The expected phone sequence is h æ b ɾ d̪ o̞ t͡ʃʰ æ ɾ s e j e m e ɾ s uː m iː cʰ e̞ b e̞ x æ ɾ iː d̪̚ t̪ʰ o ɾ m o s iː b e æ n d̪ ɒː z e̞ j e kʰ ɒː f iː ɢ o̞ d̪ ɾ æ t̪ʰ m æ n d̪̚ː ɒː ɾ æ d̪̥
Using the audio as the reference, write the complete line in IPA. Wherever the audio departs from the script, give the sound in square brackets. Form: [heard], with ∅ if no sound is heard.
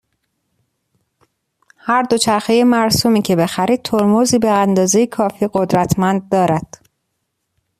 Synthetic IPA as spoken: h æ [∅] ɾ d̪ o̞ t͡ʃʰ æ ɾ [x] e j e m [æ] ɾ s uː m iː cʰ e̞ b e̞ x æ ɾ iː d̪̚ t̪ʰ o ɾ m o [z] iː b e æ n d̪ ɒː z e̞ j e kʰ ɒː f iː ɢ o̞ d̪ ɾ æ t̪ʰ m æ n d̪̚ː ɒː ɾ æ d̪̥